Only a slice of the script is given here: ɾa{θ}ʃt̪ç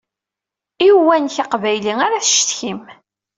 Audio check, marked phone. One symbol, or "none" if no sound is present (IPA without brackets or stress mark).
θ